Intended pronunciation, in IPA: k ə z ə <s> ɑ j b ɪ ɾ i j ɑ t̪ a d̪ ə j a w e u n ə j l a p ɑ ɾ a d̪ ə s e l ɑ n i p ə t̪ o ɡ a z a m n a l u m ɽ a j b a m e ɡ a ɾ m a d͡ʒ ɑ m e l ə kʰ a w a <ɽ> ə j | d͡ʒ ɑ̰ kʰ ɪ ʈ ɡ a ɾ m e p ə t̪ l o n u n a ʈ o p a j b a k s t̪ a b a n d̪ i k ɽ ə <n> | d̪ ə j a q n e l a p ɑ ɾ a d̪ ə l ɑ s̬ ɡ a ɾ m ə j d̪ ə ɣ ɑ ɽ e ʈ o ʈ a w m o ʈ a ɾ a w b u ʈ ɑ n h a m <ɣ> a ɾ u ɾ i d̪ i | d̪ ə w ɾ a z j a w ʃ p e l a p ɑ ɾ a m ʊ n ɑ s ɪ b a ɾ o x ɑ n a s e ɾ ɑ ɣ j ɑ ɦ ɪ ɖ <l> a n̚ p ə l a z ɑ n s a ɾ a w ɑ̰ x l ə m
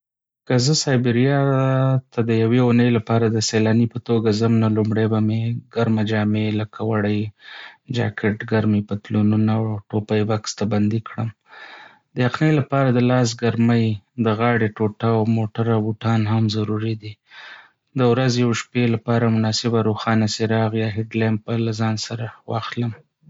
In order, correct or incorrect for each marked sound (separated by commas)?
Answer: correct, correct, incorrect, incorrect, correct